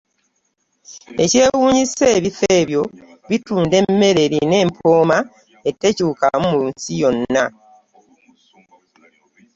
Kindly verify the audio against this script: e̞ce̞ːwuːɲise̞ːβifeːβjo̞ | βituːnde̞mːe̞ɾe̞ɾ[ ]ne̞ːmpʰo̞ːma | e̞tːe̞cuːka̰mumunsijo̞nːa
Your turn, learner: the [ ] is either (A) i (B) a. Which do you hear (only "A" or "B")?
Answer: A